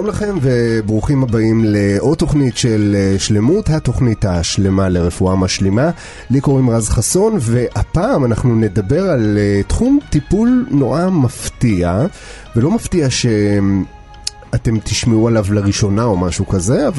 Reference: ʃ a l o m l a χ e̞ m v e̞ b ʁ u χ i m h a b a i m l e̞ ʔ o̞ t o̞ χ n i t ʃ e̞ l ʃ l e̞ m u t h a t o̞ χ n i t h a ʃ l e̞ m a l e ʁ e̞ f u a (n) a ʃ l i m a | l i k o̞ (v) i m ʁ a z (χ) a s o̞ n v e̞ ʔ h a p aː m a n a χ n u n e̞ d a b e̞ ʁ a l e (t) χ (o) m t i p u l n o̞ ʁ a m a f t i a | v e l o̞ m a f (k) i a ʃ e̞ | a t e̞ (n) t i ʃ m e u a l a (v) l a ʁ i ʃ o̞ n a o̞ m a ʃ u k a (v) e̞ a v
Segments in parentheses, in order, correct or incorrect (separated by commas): incorrect, incorrect, correct, correct, incorrect, incorrect, incorrect, correct, incorrect